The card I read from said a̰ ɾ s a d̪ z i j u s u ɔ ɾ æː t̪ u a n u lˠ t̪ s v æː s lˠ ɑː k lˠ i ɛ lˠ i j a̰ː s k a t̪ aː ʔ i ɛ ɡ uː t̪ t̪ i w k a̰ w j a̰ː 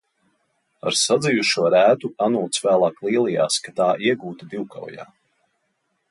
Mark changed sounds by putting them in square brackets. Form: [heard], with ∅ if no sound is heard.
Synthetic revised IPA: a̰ ɾ s a d̪ z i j u [ʃ] u ɔ ɾ æː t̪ u a n u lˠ t̪ s v æː [∅] lˠ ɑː k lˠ i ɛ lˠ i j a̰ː s k a t̪ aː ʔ i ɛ ɡ uː t̪ [d̪] i w k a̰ w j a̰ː